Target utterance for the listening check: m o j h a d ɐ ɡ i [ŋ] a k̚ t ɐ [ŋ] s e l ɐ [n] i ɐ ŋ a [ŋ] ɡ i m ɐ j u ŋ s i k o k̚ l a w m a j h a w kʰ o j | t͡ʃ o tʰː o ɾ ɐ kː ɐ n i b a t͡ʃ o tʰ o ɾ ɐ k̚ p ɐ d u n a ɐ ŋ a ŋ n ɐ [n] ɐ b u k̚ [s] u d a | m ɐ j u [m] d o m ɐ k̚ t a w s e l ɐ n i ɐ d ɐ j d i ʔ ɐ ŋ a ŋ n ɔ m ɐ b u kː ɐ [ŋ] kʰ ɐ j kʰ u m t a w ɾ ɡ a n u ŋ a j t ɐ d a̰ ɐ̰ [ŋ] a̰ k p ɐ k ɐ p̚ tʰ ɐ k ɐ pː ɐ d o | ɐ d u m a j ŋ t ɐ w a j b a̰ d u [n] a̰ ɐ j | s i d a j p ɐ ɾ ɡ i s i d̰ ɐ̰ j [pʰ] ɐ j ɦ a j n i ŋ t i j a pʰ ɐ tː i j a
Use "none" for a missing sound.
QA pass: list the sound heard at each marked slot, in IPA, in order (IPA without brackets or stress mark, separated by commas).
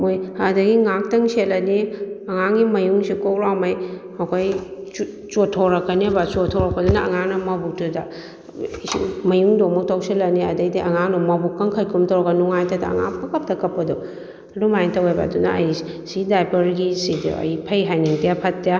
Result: ŋ, ŋ, n, ŋ, m, t, ŋ, ŋ, ŋ, n, pʰ